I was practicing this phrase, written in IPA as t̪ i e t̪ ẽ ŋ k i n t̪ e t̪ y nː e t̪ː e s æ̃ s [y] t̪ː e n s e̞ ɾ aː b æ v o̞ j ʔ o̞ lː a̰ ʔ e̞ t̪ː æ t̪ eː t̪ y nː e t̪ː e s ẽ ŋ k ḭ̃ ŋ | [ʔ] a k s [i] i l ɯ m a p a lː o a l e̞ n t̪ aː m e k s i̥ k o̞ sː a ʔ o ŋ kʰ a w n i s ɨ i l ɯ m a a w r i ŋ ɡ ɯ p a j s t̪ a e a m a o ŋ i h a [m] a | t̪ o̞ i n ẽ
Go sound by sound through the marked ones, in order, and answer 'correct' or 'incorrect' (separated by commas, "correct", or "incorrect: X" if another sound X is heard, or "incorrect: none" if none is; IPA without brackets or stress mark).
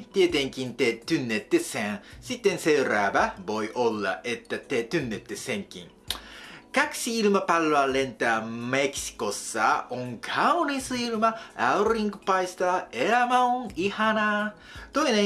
incorrect: i, incorrect: k, correct, incorrect: n